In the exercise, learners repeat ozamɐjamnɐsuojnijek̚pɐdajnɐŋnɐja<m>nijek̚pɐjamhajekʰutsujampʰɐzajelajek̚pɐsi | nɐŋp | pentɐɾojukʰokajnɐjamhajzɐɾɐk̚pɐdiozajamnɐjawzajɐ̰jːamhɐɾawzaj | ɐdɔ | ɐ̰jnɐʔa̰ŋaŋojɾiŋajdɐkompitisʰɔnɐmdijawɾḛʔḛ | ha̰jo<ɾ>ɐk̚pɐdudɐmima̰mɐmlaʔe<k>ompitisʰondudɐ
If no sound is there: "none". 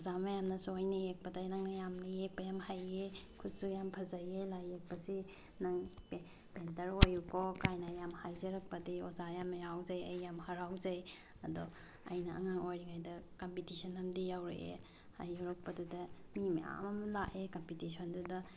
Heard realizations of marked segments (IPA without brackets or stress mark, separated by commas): m, ɾ, k